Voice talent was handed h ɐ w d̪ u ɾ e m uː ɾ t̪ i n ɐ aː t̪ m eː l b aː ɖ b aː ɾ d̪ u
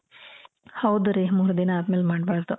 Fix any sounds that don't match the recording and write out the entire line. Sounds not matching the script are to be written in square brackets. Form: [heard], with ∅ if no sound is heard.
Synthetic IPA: h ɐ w d̪ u ɾ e m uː ɾ [d̪] i n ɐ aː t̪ m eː l [m] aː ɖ b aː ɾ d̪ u